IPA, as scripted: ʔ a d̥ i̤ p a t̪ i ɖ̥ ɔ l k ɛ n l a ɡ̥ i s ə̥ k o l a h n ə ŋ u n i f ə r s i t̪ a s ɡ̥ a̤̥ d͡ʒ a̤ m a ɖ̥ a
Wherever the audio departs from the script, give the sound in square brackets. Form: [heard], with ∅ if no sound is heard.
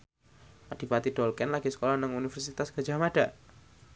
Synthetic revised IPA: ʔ a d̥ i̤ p a t̪ i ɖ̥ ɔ l k ɛ n l a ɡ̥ i s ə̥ k o l a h n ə ŋ u n i f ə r s i t̪ a s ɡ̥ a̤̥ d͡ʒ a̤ m a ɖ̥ a